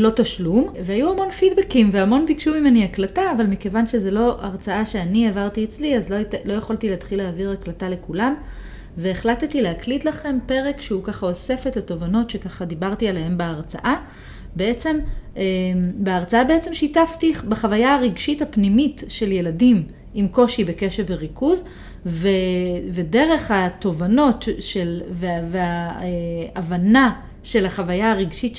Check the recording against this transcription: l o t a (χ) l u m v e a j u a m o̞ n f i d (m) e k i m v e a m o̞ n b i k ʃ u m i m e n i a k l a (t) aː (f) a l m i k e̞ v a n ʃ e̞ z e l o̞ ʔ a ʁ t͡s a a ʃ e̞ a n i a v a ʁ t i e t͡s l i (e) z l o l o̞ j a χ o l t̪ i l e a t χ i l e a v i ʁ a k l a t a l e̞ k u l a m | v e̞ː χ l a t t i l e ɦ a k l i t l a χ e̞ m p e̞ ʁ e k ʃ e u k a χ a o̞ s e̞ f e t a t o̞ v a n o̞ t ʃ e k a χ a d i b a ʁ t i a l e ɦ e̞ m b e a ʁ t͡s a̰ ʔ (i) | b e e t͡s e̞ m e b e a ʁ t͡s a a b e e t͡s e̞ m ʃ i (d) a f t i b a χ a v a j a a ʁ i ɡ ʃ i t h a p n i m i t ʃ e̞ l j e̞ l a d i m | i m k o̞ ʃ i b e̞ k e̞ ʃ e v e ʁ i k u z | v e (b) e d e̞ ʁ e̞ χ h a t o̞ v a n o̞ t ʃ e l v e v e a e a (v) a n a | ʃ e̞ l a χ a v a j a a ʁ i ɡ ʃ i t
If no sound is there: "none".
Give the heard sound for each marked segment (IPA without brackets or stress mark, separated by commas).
ʃ, b, t, v, a, a, t, v, v